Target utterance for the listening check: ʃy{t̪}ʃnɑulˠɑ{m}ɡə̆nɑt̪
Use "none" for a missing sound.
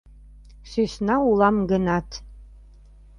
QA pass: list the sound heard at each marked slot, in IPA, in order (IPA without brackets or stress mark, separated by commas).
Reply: none, m